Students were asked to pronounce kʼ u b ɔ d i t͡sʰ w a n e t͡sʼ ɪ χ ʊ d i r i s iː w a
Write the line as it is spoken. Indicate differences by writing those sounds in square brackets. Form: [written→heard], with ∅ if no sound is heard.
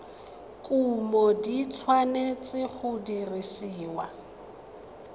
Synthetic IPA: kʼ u [b→m] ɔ d i t͡sʰ w a n e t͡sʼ ɪ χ ʊ d i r i s iː w a